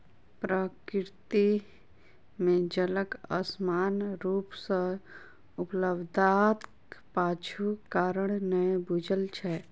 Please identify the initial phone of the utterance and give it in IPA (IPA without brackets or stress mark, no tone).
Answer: p